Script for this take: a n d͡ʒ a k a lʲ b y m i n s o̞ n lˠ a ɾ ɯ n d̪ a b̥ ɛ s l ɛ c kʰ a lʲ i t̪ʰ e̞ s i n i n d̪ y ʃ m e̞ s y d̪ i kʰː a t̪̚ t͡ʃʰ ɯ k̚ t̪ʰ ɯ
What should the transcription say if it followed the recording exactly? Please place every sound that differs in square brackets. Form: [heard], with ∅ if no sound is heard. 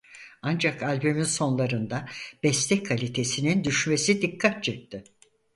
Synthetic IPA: a n d͡ʒ a k a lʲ b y m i n s o̞ n lˠ a ɾ ɯ n d̪ a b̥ ɛ s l ɛ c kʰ a lʲ i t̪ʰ e̞ s i n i n d̪ y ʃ m e̞ s [i] d̪ i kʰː a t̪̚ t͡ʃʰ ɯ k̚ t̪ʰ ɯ